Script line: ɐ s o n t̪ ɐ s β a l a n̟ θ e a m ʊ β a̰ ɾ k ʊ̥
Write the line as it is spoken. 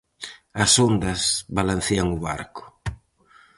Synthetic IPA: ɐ s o n d̪ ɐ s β a l a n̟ θ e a ŋ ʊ β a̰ ɾ k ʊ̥